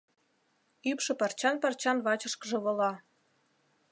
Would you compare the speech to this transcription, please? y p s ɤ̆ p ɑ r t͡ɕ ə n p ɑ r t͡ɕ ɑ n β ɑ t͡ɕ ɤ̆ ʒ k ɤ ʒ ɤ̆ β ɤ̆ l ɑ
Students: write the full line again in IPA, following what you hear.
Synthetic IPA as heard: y p ʃ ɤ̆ p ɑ r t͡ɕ ɑ n p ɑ r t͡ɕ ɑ n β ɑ t͡ɕ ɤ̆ ʃ k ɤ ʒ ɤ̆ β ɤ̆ l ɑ